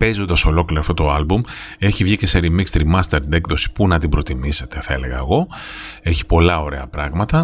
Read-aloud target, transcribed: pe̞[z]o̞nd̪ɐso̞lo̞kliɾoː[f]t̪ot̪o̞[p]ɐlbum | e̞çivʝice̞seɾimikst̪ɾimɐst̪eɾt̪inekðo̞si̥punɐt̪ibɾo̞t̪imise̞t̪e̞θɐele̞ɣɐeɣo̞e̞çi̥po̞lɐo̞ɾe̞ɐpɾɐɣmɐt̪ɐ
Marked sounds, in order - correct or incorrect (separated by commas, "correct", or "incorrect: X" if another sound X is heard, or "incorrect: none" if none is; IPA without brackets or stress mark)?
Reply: correct, correct, incorrect: none